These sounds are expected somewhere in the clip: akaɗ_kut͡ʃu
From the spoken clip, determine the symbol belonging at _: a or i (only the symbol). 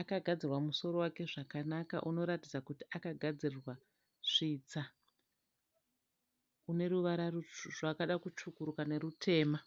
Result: a